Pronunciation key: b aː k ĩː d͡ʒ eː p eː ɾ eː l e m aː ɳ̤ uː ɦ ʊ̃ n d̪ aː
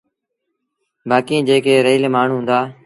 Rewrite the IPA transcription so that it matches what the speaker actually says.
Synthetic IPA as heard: b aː k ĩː d͡ʒ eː k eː ɾ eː l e m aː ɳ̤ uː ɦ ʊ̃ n d̪ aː